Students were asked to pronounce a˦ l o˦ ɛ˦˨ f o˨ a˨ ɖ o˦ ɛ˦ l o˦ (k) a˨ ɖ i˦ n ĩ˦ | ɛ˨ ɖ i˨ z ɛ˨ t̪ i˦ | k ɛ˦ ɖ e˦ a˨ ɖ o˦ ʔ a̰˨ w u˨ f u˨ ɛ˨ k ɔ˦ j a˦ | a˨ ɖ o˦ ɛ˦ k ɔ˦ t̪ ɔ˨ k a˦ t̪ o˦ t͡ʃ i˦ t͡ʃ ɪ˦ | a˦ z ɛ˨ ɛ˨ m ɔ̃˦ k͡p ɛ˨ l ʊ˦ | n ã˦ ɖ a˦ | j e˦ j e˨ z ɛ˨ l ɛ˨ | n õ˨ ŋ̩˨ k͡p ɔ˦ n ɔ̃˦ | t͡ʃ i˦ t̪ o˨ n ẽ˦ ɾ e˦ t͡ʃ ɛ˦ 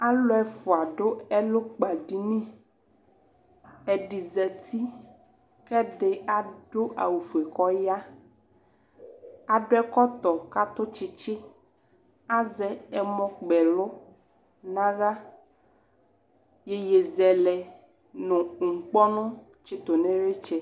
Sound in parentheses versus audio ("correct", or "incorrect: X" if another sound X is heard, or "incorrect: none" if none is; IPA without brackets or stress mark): incorrect: k͡p